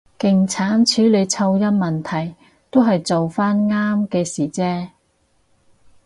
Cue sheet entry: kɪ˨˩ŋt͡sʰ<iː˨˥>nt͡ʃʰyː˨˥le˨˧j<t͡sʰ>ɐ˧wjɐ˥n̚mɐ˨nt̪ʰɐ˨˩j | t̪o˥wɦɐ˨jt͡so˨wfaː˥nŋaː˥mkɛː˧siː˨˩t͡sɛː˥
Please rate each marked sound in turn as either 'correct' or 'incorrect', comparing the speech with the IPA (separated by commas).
incorrect, correct